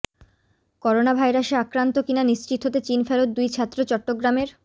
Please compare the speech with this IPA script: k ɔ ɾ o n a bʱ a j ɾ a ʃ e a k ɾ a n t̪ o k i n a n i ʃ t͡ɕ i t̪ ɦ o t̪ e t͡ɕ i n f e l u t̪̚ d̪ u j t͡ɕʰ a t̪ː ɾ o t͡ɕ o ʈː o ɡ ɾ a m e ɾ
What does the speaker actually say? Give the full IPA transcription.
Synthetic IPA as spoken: k ɔ ɾ o n a bʱ a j ɾ a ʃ e a k ɾ a n t̪ o k i n a n i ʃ t͡ɕ i t̪ ɦ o t̪ e t͡ɕ i n f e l o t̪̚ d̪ u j t͡ɕʰ a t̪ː ɾ o t͡ɕ ɔ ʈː o ɡ ɾ a m e ɾ